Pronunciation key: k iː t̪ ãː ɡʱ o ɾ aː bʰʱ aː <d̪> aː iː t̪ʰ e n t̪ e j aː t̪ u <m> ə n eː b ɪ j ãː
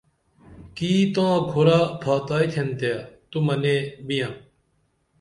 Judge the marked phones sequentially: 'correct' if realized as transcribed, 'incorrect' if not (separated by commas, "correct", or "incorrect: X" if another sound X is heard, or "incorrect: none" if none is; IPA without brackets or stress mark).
incorrect: t̪, correct